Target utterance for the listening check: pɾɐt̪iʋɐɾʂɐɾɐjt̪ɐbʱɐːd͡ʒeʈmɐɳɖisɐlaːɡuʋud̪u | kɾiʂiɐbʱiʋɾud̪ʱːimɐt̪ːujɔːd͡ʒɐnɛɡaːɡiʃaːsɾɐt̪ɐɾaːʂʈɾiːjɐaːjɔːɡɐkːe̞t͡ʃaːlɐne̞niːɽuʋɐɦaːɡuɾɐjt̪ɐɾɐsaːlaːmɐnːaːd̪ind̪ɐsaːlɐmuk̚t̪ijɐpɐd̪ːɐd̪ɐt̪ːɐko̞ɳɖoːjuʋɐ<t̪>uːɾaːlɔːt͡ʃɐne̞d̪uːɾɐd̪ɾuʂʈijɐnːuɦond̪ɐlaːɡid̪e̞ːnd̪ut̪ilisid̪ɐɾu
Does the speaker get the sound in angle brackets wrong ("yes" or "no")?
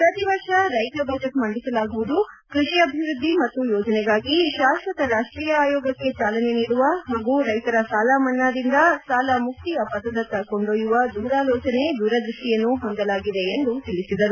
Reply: yes